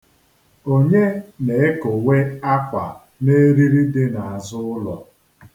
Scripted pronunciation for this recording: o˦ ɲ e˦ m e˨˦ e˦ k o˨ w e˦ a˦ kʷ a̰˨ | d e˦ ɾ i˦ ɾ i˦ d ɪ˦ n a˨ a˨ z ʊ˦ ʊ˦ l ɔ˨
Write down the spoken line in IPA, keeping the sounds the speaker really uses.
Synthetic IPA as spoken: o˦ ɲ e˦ n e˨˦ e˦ k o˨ w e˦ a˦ kʷ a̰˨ | n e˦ ɾ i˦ ɾ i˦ d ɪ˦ n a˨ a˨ z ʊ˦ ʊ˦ l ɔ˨